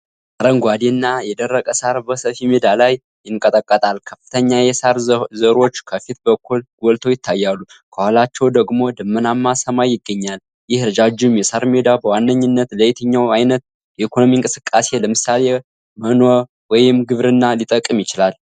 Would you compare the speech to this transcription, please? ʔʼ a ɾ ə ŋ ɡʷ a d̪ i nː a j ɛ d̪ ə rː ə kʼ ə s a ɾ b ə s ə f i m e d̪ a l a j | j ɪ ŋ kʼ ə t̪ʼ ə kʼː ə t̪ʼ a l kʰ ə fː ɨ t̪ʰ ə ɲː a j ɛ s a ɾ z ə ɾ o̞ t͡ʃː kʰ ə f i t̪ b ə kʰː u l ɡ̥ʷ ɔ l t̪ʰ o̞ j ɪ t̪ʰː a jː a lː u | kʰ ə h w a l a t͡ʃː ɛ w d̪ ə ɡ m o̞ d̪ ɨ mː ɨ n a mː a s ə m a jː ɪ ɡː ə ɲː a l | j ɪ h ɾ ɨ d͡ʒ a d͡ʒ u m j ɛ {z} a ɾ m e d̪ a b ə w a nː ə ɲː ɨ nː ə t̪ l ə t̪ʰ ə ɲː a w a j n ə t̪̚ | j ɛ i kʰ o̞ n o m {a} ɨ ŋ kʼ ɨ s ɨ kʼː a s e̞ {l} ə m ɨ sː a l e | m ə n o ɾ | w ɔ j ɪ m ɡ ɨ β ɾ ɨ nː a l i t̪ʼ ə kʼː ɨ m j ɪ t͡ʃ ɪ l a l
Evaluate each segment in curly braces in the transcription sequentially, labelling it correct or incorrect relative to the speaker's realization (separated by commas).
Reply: incorrect, incorrect, correct